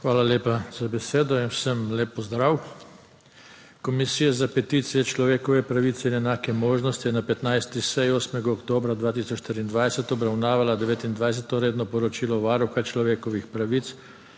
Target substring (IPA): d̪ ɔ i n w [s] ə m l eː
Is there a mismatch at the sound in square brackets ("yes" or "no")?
no